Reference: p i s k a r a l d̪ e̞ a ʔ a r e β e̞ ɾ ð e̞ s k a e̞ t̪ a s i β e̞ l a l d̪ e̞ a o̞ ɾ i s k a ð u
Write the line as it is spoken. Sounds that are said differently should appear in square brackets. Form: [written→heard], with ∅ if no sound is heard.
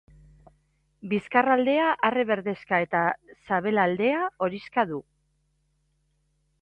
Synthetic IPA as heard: [p→b] i s k a r a l d̪ e̞ a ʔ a r e β e̞ ɾ ð e̞ s k a e̞ t̪ a s [i→a] β e̞ l a l d̪ e̞ a o̞ ɾ i s k a ð u